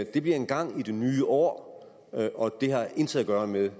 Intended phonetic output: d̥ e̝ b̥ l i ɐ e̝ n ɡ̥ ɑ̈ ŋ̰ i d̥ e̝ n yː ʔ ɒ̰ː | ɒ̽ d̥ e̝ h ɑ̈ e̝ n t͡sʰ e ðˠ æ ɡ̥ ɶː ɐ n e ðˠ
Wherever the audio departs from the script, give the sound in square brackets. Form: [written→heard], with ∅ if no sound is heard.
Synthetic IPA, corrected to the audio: d̥ e̝ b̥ l i ɐ e̝ n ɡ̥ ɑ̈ ŋ̰ i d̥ e̝ n yː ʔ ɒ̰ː | ɒ̽ d̥ e̝ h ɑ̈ e̝ n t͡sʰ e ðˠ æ ɡ̥ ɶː ɐ [n→m] e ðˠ